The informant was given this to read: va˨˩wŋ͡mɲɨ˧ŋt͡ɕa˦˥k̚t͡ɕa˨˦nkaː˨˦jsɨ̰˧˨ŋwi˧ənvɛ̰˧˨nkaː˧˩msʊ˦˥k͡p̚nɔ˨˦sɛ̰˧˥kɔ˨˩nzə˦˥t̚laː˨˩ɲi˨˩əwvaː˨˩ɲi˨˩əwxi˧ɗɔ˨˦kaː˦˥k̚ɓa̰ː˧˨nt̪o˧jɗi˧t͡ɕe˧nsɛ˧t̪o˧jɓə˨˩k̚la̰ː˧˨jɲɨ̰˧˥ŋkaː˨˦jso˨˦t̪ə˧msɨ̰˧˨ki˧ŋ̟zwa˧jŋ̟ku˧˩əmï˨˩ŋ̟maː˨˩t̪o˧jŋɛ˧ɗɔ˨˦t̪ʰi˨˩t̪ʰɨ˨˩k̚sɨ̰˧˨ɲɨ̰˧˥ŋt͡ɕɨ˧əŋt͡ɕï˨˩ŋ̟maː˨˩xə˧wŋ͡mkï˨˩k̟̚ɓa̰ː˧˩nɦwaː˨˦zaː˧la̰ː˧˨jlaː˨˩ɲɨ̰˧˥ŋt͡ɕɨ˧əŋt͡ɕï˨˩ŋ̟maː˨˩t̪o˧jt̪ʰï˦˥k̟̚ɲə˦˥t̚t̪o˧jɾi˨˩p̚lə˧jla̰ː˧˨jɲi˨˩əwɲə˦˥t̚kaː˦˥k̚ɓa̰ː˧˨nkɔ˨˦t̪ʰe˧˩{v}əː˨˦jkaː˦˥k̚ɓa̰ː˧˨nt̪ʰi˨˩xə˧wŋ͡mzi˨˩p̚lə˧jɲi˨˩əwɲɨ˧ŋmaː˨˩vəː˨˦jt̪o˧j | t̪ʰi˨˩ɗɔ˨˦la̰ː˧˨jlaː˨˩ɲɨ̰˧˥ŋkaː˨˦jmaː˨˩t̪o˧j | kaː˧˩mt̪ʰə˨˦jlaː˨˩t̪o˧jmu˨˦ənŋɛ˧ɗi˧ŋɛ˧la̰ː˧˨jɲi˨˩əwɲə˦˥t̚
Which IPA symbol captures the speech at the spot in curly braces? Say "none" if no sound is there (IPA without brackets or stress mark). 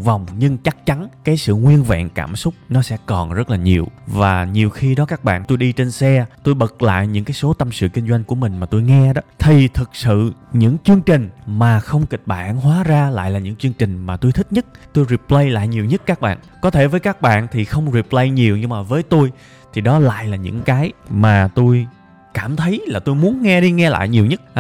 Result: v